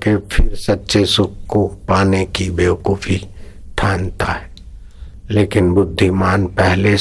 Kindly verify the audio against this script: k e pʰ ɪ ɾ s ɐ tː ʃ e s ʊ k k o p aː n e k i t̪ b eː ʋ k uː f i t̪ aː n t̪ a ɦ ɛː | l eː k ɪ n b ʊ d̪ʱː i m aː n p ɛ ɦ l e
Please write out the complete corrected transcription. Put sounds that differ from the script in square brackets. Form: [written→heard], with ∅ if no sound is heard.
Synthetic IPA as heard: k e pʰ ɪ ɾ s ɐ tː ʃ e s ʊ k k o p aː n e k i [t̪→∅] b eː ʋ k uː f i [t̪→t̪ʰ] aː n t̪ a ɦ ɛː | l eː k ɪ n b ʊ d̪ʱː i m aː n p ɛ ɦ l e